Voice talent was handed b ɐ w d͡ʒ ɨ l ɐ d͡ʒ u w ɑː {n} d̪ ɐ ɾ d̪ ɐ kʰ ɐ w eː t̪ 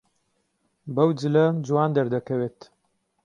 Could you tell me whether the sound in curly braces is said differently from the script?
no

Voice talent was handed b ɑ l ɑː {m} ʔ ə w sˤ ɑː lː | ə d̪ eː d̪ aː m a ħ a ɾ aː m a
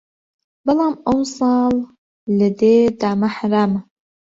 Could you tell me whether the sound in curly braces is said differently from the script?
no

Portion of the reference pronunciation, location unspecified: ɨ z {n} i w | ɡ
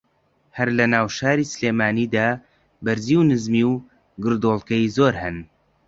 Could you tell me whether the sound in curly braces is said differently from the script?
yes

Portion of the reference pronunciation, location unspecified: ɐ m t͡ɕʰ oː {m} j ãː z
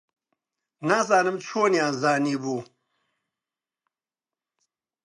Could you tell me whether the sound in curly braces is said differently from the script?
yes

